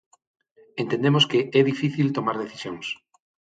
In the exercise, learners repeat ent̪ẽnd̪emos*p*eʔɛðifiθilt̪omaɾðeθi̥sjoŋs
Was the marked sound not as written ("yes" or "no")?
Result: yes